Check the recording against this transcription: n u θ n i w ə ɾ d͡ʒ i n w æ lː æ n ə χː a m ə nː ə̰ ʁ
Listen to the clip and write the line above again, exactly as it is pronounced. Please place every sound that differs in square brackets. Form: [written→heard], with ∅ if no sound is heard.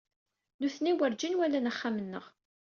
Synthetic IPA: n u θ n i w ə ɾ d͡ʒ i n w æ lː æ n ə χː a m ə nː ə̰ ʁ